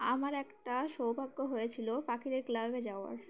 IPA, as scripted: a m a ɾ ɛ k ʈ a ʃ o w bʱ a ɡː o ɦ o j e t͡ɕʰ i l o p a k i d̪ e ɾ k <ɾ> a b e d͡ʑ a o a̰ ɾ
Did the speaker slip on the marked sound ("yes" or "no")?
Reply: yes